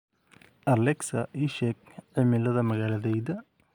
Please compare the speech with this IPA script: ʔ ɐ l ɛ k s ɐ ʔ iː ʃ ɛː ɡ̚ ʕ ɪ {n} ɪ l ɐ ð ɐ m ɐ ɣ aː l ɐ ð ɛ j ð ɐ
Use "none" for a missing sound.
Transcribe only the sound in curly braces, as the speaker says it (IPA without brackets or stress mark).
m